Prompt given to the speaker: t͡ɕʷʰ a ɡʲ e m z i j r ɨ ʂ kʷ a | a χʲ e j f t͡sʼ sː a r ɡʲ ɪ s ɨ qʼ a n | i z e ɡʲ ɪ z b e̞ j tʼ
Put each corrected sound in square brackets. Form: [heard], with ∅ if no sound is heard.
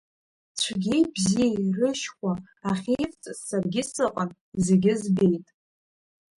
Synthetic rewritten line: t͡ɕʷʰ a ɡʲ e [b] z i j r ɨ [ʃ] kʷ a | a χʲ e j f t͡sʼ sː a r ɡʲ ɪ s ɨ qʼ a n | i z e ɡʲ ɪ z b e̞ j tʼ